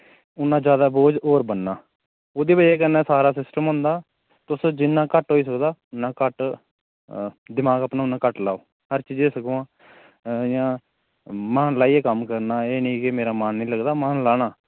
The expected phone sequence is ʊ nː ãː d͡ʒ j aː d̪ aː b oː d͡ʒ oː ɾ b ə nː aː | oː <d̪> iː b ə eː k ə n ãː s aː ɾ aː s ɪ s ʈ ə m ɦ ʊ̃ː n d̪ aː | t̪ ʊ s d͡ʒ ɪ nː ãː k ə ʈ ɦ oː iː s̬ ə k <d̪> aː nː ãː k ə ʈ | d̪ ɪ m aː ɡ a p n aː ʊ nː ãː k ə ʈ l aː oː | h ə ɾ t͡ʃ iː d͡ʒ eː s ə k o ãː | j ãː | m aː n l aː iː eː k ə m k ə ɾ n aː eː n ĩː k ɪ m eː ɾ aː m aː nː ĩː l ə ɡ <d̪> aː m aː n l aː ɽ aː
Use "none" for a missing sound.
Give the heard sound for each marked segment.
d̪, d̪, d̪

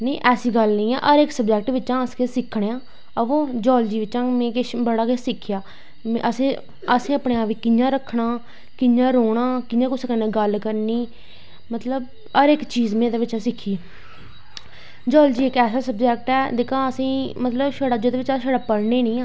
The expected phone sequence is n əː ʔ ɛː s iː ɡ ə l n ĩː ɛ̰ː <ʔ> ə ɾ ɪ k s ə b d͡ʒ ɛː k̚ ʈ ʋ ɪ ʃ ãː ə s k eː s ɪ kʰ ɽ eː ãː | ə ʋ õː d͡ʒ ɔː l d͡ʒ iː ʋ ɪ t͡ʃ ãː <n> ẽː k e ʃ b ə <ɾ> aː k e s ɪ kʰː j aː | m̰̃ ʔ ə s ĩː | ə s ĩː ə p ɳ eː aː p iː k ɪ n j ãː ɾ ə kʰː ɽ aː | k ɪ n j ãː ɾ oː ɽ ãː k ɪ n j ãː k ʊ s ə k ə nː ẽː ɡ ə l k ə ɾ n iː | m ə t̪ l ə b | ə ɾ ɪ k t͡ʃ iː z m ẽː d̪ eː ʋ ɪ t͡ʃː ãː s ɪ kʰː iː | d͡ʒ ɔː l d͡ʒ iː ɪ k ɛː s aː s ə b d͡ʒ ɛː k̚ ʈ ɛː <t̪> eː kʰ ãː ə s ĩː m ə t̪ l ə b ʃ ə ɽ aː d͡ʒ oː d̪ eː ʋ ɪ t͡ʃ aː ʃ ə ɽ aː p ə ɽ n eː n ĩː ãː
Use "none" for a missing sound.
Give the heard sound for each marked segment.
ʔ, m, ɽ, d̪

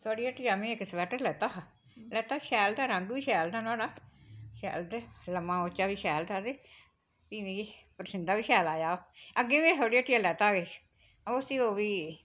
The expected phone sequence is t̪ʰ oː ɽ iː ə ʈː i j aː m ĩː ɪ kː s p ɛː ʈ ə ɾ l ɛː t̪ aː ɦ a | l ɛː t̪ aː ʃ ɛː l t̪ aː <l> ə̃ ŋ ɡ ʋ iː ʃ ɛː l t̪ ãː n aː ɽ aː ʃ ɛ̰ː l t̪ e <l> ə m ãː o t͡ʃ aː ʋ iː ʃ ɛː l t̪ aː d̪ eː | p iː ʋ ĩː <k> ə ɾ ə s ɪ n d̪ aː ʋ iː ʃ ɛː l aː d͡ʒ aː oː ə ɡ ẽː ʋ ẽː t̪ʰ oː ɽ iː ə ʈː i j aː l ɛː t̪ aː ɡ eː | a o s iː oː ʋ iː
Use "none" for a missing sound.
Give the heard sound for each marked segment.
ɾ, l, p

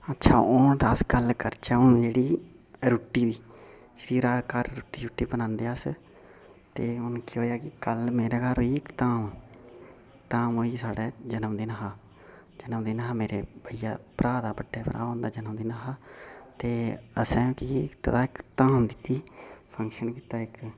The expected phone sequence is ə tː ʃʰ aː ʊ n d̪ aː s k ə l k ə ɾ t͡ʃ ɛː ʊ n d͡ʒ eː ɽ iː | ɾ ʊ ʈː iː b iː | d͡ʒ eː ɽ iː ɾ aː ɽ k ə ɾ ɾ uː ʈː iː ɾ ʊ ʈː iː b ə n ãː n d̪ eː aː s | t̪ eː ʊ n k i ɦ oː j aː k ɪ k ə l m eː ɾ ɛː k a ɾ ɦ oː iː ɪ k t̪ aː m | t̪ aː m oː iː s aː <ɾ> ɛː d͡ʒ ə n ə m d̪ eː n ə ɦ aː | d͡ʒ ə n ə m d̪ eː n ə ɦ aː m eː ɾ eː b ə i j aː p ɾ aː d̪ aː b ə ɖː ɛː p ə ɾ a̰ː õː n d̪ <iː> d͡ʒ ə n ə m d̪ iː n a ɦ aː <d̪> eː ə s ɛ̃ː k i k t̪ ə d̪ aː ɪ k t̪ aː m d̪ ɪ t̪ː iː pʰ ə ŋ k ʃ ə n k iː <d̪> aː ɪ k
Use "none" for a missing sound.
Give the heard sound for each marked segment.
ɽ, aː, t̪, t̪

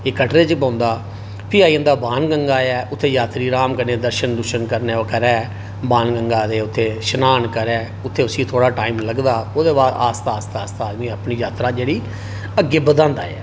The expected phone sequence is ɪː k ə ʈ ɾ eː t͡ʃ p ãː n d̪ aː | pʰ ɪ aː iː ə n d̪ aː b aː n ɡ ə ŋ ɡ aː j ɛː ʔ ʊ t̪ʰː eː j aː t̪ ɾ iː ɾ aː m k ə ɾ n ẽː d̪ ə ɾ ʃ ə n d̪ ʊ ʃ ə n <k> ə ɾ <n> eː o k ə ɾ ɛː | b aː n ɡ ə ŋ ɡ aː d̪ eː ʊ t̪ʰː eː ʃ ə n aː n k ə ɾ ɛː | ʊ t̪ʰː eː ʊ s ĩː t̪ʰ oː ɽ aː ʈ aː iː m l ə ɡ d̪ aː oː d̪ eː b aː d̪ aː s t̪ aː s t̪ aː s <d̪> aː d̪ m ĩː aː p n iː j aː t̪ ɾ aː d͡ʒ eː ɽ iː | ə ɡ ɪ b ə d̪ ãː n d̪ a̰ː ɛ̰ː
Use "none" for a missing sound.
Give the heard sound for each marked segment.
k, n, t̪

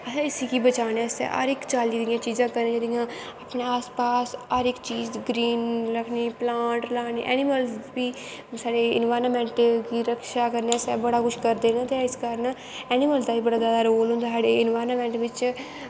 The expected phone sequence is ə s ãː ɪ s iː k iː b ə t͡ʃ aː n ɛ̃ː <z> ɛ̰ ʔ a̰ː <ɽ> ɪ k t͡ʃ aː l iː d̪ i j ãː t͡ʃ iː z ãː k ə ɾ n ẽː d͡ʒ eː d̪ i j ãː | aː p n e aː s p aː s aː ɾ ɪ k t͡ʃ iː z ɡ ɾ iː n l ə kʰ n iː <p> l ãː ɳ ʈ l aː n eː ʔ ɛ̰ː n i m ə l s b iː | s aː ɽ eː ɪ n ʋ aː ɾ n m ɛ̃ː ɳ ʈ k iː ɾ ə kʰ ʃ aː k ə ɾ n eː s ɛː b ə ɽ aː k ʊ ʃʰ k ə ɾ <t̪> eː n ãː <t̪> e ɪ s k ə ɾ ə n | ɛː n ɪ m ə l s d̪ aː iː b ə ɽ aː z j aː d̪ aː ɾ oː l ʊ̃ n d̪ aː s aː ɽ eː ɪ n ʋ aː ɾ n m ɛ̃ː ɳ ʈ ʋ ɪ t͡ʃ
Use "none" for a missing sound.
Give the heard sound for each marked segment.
s, ɾ, p, d̪, t̪

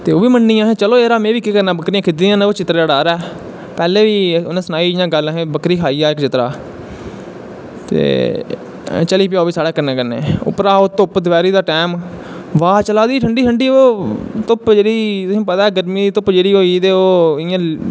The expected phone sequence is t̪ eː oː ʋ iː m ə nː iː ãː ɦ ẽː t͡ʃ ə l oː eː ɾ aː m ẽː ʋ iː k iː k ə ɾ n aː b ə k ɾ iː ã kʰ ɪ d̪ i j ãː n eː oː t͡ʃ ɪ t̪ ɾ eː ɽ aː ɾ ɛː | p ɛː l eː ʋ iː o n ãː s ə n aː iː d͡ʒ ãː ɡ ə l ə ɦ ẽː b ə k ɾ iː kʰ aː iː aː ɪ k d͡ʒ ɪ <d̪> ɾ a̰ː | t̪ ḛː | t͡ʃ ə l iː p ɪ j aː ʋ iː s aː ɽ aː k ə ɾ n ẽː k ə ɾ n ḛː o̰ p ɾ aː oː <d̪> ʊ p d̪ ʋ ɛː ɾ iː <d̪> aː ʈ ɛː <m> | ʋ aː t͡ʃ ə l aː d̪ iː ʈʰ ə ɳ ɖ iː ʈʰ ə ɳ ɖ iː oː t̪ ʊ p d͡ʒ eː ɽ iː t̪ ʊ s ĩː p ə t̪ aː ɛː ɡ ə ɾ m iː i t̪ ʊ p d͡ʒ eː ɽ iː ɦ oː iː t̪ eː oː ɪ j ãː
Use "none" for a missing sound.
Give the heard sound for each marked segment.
t̪, t̪, d̪, m

